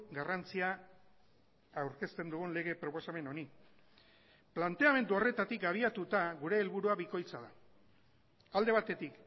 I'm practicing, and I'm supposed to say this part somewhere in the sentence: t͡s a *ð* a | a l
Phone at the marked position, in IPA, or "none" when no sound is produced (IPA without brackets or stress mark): ð